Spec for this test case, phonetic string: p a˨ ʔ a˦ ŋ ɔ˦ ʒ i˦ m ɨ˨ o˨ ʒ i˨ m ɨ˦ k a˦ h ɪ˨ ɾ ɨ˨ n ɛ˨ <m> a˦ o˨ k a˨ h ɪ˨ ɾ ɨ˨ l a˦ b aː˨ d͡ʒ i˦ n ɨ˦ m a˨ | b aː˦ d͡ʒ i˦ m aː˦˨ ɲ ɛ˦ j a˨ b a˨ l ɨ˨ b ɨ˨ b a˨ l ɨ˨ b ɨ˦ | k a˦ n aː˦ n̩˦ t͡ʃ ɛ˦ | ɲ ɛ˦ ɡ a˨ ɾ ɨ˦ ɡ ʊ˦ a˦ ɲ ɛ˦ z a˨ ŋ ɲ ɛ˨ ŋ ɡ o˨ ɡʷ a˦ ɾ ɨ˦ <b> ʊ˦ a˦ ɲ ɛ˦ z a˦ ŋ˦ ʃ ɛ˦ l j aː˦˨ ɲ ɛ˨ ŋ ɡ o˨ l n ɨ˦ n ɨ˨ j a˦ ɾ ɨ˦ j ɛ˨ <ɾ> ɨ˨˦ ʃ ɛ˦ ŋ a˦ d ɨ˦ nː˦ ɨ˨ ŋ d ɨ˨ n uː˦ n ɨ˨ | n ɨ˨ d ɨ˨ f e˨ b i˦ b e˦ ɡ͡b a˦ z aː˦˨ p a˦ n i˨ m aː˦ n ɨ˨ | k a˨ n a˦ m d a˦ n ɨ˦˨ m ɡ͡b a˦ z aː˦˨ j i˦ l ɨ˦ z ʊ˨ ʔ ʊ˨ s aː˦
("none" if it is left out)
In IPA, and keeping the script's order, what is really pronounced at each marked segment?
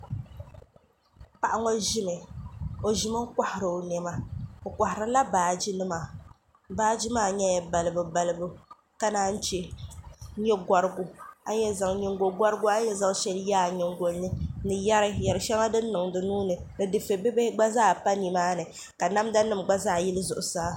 m, ɡ, ɾ

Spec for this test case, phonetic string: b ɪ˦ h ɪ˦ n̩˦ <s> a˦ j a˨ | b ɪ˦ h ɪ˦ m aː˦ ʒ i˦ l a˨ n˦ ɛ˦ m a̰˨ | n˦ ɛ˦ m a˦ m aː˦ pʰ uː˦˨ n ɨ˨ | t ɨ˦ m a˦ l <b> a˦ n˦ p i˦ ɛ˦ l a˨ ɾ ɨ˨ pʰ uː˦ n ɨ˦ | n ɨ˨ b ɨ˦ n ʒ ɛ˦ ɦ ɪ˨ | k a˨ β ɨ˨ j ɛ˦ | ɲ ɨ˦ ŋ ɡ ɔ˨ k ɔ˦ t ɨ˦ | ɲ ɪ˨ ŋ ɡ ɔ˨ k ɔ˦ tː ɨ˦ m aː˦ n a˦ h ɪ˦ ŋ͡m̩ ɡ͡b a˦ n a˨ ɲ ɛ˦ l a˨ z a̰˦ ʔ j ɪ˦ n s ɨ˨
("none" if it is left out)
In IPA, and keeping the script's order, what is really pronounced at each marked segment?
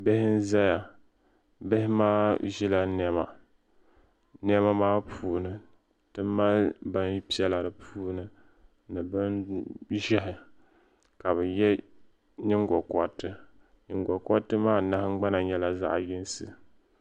z, b

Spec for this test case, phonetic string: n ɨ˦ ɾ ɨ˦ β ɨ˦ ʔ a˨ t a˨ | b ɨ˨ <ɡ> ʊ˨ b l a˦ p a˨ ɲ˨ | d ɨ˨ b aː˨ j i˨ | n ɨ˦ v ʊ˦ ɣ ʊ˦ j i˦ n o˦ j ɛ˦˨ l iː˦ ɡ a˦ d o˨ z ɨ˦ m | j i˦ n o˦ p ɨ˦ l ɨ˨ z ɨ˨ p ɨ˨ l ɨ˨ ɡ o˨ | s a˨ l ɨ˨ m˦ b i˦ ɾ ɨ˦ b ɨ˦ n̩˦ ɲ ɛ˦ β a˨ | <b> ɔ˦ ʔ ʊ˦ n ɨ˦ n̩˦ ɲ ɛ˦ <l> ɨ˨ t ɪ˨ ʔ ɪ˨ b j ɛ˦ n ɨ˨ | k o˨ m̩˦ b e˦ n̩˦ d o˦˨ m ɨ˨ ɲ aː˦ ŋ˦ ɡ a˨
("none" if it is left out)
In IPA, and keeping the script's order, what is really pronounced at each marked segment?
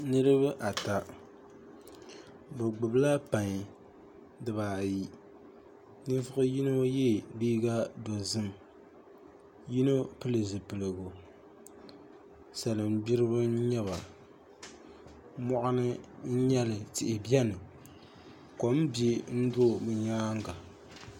ɡ͡b, m, l

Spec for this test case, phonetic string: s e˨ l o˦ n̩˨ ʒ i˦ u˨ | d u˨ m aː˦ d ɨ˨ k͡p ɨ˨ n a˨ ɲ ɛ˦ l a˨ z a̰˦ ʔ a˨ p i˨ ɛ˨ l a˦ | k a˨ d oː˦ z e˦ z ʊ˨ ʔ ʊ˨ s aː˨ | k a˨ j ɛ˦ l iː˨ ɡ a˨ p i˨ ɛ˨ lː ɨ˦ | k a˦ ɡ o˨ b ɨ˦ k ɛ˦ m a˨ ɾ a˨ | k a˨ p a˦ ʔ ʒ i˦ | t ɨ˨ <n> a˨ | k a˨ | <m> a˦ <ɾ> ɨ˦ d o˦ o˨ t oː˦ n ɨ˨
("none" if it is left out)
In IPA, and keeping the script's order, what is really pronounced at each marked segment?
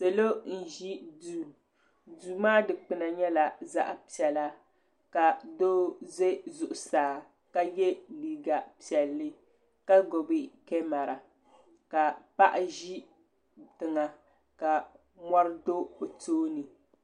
ŋ, m, ɾ

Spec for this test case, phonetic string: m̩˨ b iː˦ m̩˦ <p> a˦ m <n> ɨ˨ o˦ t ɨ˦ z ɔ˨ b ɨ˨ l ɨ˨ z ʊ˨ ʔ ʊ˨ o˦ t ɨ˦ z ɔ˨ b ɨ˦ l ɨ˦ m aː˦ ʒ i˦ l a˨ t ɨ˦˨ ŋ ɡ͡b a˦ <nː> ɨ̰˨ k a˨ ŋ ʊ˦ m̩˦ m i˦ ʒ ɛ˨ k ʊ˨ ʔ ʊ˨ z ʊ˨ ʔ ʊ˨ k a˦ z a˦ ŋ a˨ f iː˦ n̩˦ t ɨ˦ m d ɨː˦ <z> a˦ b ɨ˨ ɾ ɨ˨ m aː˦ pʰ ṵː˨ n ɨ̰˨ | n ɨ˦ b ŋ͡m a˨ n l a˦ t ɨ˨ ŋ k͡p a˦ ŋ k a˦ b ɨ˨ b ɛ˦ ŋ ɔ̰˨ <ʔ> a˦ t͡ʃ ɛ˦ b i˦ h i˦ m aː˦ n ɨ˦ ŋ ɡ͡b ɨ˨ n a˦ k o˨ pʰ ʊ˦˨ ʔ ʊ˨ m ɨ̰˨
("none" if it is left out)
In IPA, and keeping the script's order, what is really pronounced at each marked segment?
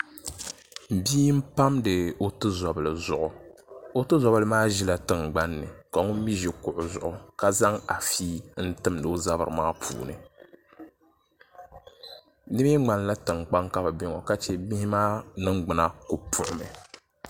p, d, nː, z, k

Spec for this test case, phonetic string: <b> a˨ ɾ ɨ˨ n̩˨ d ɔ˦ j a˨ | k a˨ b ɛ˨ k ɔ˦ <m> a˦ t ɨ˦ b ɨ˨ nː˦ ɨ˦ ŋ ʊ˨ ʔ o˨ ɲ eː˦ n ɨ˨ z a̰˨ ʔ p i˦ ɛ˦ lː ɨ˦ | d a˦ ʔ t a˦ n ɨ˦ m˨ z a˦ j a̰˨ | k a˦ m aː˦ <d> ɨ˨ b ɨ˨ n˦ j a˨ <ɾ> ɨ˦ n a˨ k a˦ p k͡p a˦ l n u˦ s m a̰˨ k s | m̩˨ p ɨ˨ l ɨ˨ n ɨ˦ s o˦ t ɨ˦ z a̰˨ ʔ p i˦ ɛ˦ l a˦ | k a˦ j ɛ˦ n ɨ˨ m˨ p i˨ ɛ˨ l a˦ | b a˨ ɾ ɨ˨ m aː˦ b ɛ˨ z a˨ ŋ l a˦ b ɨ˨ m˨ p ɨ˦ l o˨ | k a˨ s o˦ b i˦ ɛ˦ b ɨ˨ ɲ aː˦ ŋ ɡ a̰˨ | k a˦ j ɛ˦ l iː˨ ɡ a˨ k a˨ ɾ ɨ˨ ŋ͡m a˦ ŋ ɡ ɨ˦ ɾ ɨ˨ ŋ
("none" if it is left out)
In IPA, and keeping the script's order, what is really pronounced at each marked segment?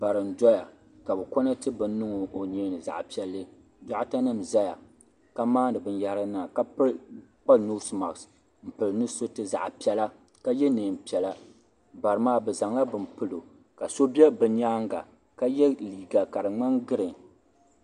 b, n, n, ɾ

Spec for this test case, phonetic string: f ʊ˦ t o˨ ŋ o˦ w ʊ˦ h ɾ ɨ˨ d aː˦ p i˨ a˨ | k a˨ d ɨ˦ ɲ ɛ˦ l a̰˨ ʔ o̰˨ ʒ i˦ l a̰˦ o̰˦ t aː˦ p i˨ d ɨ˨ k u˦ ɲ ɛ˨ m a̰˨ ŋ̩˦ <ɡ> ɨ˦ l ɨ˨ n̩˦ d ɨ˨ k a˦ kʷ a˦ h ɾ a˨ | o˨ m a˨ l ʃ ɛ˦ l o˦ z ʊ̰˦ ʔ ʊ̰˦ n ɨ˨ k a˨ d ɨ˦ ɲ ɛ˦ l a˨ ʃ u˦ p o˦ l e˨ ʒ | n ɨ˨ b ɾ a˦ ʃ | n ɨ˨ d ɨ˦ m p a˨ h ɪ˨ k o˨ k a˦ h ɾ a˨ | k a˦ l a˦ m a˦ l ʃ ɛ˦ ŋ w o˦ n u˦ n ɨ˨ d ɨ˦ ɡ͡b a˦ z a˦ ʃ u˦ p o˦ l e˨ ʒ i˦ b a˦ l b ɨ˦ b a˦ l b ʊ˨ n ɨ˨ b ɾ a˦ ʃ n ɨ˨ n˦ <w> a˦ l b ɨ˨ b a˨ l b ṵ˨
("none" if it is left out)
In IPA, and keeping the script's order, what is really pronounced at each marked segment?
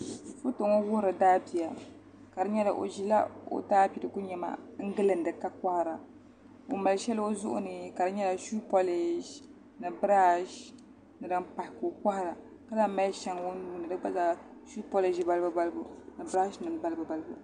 ɡ, b

